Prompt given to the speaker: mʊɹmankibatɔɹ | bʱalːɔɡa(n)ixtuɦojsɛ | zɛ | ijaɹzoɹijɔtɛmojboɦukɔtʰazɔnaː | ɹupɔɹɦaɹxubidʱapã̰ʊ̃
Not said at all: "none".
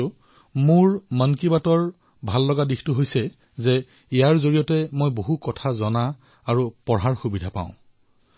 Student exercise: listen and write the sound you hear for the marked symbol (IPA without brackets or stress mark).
d